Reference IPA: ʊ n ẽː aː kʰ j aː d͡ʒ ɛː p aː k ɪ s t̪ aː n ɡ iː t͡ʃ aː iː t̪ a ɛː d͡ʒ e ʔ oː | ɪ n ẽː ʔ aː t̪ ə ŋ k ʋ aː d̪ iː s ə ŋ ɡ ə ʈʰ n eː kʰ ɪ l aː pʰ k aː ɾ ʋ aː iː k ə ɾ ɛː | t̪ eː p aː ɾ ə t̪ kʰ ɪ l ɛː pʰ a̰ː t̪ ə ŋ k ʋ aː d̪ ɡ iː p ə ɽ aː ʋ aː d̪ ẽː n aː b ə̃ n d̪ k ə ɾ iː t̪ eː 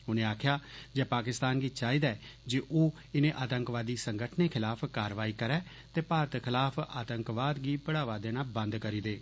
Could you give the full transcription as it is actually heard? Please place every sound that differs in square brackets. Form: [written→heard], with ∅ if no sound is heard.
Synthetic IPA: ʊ n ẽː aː kʰ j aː d͡ʒ ɛː p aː k ɪ s t̪ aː n ɡ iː t͡ʃ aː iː [t̪→d̪] a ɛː d͡ʒ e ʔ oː | ɪ n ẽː ʔ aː t̪ ə ŋ k ʋ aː d̪ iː s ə ŋ ɡ ə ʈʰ n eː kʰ ɪ l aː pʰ k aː ɾ ʋ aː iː k ə ɾ ɛː | t̪ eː p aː ɾ ə t̪ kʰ ɪ l [ɛː→aː] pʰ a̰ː t̪ ə ŋ k ʋ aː d̪ ɡ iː p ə ɽ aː ʋ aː d̪ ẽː n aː b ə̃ n d̪ k ə ɾ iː [t̪→d̪] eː